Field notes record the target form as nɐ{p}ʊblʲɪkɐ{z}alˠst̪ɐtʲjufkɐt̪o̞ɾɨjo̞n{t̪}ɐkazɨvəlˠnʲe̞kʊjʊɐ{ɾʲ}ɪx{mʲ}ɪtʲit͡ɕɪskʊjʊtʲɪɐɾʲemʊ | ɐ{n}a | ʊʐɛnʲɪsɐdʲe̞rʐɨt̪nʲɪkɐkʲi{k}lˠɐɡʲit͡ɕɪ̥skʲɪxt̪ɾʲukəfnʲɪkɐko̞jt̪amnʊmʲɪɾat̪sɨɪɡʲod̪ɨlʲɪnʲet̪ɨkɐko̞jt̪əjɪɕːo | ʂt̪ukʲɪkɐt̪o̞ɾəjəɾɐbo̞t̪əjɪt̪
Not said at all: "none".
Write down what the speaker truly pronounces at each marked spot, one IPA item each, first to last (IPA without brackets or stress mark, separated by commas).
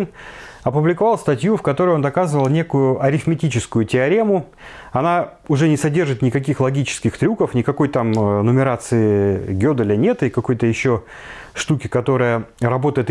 p, v, d̪, ɾʲ, mʲ, n, x